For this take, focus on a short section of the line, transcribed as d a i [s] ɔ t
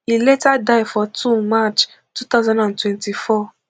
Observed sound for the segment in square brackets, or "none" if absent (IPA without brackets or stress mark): f